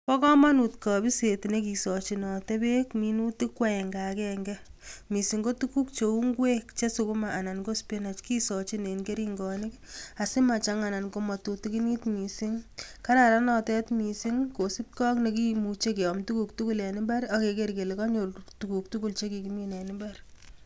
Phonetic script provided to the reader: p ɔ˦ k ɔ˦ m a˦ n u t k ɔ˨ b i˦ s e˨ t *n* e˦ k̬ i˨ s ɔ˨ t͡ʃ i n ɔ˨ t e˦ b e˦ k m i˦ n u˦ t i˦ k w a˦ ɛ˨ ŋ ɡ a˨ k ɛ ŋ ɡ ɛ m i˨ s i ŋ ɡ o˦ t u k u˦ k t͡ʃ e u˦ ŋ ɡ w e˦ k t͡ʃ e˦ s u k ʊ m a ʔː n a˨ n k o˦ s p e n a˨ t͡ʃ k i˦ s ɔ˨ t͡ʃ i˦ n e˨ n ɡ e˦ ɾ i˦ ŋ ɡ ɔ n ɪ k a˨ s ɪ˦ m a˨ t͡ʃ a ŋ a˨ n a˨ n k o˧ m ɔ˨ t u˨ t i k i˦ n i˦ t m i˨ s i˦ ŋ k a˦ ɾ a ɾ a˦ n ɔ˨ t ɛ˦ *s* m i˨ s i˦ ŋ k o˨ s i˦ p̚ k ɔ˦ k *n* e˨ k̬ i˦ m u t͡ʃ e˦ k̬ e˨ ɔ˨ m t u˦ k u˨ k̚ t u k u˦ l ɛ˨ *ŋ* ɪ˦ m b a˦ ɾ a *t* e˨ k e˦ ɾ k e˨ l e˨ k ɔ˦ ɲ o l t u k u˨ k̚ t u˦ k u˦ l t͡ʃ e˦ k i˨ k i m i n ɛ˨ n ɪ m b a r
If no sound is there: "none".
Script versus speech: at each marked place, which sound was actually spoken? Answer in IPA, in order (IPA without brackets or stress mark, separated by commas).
n, t, n, n, k